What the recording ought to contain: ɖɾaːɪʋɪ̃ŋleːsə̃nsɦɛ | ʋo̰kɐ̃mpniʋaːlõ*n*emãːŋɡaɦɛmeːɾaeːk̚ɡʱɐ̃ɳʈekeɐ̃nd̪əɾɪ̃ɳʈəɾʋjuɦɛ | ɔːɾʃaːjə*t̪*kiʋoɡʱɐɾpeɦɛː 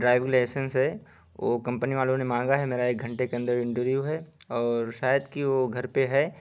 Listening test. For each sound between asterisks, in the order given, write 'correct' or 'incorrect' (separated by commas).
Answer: correct, incorrect